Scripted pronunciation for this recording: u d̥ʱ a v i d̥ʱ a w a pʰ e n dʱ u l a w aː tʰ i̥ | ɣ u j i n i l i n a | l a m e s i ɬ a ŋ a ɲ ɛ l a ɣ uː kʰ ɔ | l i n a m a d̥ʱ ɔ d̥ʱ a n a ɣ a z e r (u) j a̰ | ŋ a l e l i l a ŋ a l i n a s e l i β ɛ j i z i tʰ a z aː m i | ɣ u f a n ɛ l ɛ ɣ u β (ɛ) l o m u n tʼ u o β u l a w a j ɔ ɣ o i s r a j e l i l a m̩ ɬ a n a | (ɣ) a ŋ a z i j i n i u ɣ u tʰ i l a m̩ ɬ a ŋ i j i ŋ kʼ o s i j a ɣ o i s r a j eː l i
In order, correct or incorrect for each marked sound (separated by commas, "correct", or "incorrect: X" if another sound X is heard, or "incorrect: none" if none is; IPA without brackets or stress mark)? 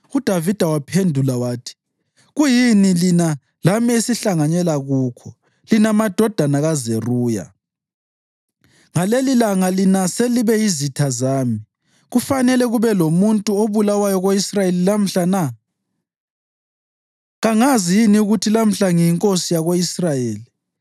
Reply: incorrect: uː, correct, correct